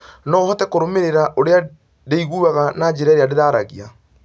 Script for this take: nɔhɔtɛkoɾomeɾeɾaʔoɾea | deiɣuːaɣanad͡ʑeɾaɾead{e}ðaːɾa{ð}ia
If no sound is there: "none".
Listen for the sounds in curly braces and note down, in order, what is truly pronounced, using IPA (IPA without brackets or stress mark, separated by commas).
e, ɣ